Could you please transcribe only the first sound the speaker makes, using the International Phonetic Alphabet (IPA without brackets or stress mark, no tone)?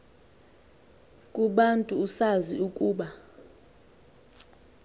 kʼ